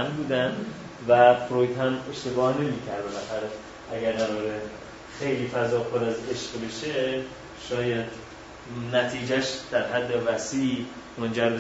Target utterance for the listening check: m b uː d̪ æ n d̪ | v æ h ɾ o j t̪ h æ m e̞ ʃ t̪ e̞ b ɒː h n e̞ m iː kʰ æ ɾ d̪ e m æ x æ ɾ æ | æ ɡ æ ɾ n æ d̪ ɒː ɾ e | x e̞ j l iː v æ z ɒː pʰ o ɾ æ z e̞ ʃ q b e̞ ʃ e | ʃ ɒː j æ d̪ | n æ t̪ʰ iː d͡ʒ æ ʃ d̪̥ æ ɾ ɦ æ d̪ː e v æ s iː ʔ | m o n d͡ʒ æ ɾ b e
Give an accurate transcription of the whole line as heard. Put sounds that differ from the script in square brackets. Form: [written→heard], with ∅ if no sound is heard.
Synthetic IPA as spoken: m b uː d̪ æ n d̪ | v æ [h→f] ɾ o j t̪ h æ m e̞ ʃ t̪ e̞ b ɒː h n e̞ m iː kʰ æ ɾ d̪ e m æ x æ ɾ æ | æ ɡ æ ɾ n æ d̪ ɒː ɾ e | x e̞ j l iː [v→f] æ z ɒː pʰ o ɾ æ z e̞ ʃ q b e̞ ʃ e | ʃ ɒː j æ d̪ | n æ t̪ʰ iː d͡ʒ æ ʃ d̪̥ æ ɾ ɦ æ d̪ː e v æ s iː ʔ | m o n d͡ʒ æ ɾ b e